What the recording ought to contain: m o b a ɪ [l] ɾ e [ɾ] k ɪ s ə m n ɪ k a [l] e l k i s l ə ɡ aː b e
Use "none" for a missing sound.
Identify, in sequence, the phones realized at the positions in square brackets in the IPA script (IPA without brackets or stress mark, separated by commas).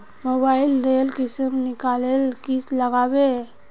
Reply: l, l, l